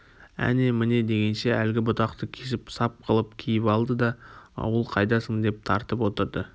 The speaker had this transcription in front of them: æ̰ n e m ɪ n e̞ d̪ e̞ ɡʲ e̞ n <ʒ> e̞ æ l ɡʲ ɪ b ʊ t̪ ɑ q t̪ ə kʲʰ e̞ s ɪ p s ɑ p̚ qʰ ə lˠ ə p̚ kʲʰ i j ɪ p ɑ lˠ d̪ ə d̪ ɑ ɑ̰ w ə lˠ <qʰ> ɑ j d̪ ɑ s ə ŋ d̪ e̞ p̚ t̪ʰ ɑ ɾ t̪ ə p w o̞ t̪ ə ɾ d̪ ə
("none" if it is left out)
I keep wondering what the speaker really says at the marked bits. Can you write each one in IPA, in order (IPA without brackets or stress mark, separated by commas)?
ʃ, qʰ